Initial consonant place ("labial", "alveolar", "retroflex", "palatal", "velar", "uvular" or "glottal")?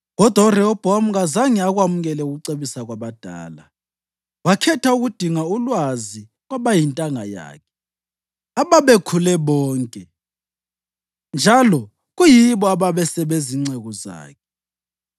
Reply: velar